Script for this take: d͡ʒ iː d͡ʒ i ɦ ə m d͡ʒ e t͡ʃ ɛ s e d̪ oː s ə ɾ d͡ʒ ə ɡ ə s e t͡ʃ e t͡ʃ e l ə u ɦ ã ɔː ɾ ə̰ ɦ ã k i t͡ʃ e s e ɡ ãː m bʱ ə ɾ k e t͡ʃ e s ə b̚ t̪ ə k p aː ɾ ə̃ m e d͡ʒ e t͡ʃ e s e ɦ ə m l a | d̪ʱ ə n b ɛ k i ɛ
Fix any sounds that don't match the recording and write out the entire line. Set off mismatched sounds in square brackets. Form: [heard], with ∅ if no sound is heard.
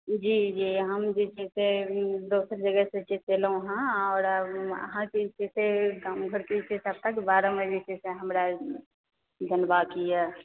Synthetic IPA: d͡ʒ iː d͡ʒ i ɦ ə m d͡ʒ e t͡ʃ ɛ s e d̪ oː s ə ɾ d͡ʒ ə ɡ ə s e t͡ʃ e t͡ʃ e l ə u ɦ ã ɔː ɾ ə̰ ɦ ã k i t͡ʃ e s e ɡ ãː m [ɡʱ] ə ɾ k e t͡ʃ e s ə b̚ t̪ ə k [b] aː ɾ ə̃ m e d͡ʒ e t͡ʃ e s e ɦ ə m [ɾ] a | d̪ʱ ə n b [a] k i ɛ